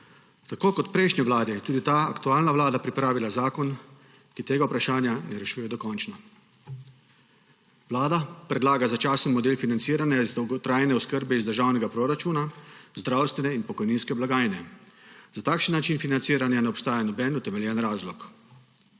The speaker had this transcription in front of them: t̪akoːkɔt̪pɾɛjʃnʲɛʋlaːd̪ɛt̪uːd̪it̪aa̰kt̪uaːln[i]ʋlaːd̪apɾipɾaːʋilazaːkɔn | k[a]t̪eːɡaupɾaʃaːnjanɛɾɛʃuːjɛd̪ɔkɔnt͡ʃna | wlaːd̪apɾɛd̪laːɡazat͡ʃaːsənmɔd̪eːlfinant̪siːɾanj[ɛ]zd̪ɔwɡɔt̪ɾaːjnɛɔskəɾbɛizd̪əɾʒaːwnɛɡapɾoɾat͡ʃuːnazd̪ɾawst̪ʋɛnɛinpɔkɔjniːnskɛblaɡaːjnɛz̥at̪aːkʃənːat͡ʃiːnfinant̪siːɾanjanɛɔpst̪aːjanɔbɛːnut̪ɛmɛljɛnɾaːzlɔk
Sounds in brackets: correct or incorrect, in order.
incorrect: a, incorrect: i, incorrect: a

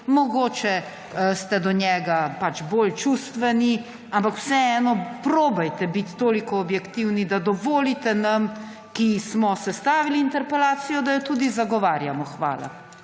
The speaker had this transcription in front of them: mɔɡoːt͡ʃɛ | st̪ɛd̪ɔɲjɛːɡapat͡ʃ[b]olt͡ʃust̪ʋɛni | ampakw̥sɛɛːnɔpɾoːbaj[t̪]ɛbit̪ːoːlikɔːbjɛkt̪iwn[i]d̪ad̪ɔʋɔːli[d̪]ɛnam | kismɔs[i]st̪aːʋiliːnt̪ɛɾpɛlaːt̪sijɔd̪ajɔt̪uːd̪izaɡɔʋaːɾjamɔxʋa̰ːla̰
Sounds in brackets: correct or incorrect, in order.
correct, correct, correct, incorrect: t̪, incorrect: ɛ

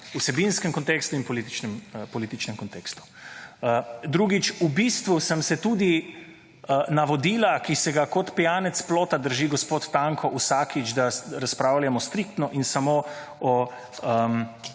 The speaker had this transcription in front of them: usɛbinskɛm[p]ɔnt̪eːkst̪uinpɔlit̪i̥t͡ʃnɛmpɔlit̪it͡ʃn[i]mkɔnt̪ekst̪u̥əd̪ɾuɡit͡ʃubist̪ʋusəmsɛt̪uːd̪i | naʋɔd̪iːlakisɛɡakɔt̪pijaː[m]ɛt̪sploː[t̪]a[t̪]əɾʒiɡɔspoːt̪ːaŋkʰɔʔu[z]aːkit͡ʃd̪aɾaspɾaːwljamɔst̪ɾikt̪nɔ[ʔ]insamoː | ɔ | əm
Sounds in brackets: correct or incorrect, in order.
incorrect: k, incorrect: ɛ, incorrect: n, correct, incorrect: d̪, incorrect: s, correct

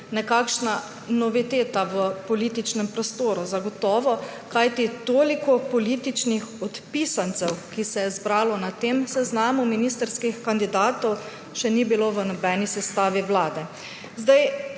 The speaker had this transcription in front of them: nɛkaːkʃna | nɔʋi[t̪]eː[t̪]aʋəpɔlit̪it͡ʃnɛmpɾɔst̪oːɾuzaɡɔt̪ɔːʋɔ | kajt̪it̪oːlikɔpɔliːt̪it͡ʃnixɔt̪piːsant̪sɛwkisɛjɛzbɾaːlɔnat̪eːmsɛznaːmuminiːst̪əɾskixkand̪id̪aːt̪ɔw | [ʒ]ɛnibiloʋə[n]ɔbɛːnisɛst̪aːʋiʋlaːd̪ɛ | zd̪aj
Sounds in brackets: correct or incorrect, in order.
correct, correct, incorrect: ʃ, correct

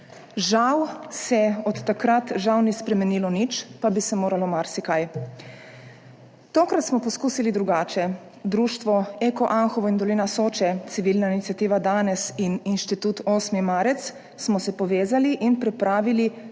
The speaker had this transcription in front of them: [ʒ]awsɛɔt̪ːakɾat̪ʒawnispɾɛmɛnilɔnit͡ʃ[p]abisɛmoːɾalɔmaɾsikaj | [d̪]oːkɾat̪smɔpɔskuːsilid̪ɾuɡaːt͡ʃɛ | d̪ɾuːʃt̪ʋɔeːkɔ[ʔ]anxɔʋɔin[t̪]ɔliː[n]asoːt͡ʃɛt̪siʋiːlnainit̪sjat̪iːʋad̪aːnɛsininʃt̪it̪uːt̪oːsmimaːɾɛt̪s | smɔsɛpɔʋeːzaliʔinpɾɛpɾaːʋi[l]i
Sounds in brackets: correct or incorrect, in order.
correct, correct, incorrect: t̪, correct, incorrect: d̪, correct, correct

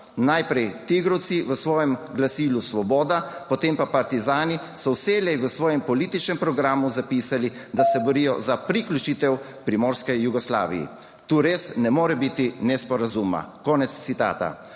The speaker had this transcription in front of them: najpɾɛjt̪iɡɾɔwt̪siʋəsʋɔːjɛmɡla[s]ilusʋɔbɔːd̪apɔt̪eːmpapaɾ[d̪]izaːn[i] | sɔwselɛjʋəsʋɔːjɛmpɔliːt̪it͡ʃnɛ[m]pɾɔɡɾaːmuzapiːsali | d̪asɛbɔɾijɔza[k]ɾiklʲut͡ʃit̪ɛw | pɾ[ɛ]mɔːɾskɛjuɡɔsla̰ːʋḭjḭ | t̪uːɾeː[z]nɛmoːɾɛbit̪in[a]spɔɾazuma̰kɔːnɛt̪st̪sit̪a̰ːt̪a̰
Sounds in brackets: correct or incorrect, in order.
correct, incorrect: t̪, correct, correct, incorrect: p, incorrect: i, incorrect: s, incorrect: ɛ

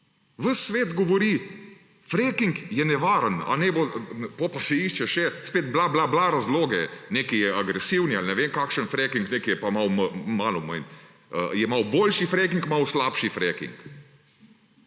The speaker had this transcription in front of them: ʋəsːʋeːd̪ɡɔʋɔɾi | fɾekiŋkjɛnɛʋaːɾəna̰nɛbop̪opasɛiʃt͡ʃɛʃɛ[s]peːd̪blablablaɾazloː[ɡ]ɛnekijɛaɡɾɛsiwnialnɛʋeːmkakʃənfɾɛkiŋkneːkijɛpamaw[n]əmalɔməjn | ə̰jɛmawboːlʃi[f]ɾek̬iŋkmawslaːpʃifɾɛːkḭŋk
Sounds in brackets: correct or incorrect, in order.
correct, correct, incorrect: m, correct

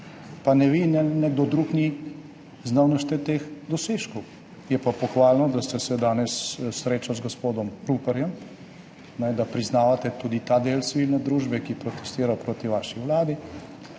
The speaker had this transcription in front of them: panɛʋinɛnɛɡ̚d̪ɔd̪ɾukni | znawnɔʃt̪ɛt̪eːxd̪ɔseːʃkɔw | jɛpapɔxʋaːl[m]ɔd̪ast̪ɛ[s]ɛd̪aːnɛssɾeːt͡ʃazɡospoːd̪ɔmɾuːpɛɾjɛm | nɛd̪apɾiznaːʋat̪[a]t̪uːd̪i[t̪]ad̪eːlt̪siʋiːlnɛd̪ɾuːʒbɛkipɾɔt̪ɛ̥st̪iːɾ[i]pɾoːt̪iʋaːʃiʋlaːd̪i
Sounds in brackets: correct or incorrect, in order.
incorrect: n, correct, incorrect: ɛ, correct, incorrect: a

